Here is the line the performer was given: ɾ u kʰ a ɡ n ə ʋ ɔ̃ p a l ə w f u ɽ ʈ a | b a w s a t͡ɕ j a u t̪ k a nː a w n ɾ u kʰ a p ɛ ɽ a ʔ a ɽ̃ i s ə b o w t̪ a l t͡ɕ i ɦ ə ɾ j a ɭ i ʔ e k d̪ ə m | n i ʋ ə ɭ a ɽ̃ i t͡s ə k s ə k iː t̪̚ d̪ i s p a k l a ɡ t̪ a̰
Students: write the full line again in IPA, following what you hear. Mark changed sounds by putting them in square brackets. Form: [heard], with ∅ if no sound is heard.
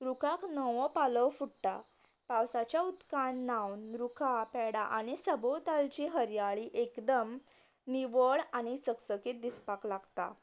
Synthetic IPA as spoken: ɾ u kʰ a [k] n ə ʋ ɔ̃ p a l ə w f u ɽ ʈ a | [p] a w s a t͡ɕ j a u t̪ k a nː a w n ɾ u kʰ a p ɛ ɽ a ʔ a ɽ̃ i s ə b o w t̪ a l t͡ɕ i ɦ ə ɾ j a ɭ i ʔ e k d̪ ə m | n i ʋ ə ɭ a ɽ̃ i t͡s ə k s ə k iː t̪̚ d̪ i s p a k l a ɡ t̪ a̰